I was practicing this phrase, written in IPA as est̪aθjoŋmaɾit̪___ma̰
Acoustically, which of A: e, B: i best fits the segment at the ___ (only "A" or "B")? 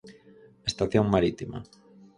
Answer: B